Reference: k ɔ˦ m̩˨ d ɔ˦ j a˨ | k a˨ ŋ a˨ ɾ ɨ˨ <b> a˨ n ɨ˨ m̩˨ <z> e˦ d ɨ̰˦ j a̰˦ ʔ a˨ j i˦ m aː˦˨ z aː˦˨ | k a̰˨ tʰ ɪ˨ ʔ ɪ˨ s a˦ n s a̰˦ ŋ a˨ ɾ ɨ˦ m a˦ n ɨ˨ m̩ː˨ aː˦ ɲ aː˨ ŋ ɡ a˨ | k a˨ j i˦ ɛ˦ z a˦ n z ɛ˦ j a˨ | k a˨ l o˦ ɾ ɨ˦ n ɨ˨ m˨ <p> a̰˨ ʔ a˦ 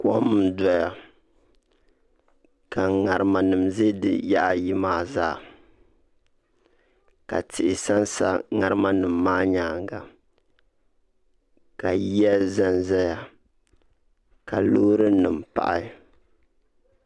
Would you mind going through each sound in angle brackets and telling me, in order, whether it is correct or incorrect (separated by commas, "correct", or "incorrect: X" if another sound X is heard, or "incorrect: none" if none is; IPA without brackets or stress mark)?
incorrect: m, correct, correct